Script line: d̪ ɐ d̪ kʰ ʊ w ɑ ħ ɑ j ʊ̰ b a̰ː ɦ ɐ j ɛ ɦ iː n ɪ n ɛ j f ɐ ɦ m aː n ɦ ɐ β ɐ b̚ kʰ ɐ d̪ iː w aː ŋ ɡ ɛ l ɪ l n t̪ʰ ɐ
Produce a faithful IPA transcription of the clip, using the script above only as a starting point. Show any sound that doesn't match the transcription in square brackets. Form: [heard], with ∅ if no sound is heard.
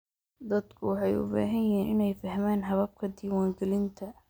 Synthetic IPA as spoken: d̪ ɐ d̪ kʰ ʊ w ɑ ħ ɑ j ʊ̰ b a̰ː ɦ ɐ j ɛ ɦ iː n ɪ n ɛ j f ɐ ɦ m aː n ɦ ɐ β ɐ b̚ kʰ ɐ d̪ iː w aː ŋ ɡ ɛ l ɪ [∅] n t̪ʰ ɐ